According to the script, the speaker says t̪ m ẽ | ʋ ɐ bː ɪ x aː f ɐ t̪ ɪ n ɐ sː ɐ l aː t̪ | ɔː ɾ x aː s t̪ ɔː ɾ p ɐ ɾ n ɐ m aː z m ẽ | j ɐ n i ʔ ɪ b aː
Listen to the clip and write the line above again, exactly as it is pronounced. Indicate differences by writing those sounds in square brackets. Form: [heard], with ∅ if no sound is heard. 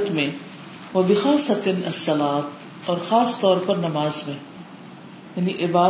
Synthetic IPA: t̪ m ẽ | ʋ ɐ [b] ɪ x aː [s] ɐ t̪ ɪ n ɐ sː ɐ l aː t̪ | ɔː ɾ x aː s t̪ ɔː ɾ p ɐ ɾ n ɐ m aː z m ẽ | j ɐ n i ʔ ɪ b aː